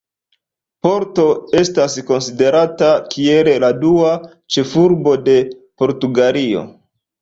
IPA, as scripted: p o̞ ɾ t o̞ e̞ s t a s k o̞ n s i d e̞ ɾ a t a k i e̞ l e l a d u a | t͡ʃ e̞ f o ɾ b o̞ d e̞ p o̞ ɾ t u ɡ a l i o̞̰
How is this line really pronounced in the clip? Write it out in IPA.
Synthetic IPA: p o̞ ɾ t o̞ e̞ s t a s k o̞ n s i d e̞ ɾ a t a k i e̞ l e l a d u a | t͡ʃ e̞ f u ɾ b o̞ d e̞ p o̞ ɾ t u ɡ a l i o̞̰